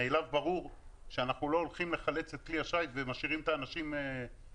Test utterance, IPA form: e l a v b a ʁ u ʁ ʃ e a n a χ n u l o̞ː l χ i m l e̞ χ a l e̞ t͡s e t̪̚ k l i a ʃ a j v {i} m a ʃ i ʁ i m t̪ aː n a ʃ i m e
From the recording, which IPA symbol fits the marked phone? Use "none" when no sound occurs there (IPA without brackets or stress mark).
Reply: e